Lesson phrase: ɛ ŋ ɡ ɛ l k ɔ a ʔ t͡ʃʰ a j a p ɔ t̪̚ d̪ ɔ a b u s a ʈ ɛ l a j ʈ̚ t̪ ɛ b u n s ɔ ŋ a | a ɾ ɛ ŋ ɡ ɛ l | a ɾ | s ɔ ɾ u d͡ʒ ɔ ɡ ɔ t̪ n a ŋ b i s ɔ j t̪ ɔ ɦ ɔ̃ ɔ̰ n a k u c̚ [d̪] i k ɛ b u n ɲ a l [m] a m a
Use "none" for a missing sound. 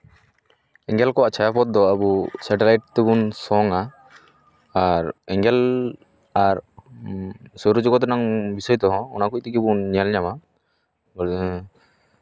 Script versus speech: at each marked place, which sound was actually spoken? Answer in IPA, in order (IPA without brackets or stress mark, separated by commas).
t̪, ɲ